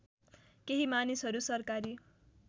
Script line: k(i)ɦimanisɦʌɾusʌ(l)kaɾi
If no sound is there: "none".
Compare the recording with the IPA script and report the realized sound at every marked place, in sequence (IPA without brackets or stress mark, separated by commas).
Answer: e, r